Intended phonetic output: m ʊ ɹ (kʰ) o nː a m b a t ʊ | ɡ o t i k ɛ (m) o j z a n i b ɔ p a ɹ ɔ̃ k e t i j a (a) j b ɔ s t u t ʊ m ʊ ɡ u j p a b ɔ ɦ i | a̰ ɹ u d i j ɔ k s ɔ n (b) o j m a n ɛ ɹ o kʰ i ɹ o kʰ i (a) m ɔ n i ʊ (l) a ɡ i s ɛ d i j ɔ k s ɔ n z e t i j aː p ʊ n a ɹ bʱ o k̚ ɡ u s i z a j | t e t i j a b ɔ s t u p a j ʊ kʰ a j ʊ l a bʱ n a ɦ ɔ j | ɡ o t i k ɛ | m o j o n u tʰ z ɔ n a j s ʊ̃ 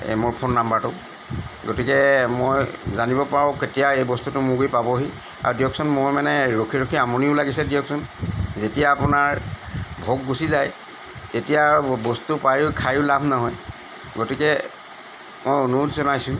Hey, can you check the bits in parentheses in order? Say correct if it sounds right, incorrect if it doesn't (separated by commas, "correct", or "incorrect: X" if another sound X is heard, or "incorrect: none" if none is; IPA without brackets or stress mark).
incorrect: pʰ, correct, incorrect: e, incorrect: m, correct, correct